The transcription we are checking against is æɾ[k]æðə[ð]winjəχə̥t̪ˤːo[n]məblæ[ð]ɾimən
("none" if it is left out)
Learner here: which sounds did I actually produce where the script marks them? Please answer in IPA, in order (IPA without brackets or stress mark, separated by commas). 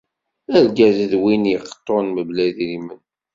ɡ, ð, n, ð